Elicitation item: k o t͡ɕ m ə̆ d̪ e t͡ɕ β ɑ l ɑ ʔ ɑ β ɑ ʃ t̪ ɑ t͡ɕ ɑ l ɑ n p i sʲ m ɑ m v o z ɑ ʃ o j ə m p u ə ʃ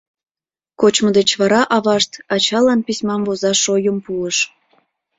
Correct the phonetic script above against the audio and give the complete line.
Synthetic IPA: k o t͡ɕ m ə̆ d̪ e t͡ɕ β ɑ ɾ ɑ ʔ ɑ β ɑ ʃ t̪ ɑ t͡ɕ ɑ l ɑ n p i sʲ m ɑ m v o z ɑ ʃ o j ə m p u ə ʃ